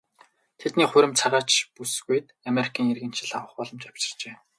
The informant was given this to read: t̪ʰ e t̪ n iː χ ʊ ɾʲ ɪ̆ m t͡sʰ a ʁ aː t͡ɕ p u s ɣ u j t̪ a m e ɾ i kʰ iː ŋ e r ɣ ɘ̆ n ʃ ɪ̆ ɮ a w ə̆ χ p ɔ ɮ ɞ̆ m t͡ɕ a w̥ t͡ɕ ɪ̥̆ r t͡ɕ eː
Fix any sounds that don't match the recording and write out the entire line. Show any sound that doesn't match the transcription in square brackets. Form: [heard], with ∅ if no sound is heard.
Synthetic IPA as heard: t̪ʰ e t̪ n iː χ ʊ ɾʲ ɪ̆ m t͡sʰ a ʁ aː t͡ɕ p u s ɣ u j t̪ a m e ɾ i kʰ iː ŋ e r ɣ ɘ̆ n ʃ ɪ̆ ɮ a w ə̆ χ p ɔ ɮ ɞ̆ m t͡ɕ a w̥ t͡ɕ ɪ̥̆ r t͡ɕ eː